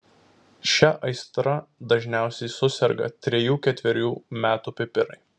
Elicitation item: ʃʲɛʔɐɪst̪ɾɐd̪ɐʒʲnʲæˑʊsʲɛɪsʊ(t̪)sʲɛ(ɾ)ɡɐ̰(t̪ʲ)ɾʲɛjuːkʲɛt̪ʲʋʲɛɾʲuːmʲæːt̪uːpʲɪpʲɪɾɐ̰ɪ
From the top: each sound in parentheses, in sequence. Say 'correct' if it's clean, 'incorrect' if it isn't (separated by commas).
incorrect, correct, correct